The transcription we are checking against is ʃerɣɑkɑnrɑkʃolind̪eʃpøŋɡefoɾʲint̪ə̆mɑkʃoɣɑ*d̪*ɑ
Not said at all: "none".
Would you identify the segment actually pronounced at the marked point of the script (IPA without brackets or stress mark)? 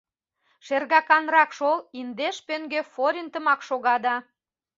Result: d̪